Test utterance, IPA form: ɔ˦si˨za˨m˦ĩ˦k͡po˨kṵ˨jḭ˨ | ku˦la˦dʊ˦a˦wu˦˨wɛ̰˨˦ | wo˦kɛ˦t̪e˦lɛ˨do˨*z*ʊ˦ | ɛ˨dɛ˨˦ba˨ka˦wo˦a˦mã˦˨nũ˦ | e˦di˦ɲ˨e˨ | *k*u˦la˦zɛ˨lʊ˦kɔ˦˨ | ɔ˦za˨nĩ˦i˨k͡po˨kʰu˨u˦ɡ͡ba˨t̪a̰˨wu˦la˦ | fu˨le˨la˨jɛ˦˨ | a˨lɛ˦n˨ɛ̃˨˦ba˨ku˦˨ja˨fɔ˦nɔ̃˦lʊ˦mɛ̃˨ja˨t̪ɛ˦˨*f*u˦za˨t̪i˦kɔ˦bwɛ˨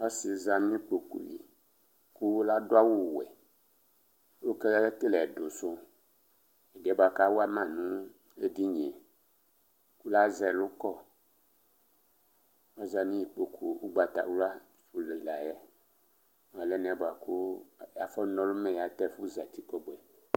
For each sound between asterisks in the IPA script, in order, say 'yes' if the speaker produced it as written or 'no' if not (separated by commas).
no, yes, yes